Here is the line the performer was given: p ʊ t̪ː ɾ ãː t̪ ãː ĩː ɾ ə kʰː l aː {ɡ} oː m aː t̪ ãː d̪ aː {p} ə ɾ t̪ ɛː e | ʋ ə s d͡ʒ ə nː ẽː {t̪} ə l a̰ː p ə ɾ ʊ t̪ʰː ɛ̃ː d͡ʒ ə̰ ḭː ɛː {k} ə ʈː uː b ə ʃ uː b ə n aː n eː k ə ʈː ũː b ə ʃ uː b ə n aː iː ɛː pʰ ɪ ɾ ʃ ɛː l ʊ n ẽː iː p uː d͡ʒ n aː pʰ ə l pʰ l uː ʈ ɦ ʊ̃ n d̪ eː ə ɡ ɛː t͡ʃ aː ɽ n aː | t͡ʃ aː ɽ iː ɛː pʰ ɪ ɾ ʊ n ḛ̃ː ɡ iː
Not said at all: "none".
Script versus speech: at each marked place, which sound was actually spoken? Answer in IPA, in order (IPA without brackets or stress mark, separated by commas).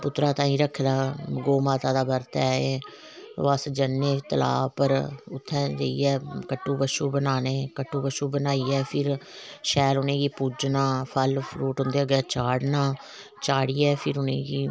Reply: ɡ, b, t̪, k